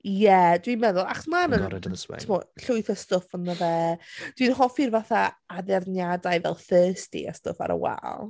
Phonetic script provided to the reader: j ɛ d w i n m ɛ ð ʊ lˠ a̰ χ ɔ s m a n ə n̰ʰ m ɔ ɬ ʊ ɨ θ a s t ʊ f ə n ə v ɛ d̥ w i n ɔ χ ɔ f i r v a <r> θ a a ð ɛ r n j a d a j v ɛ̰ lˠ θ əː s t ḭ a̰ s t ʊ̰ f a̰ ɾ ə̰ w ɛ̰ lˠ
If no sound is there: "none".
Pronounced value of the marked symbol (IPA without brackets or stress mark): none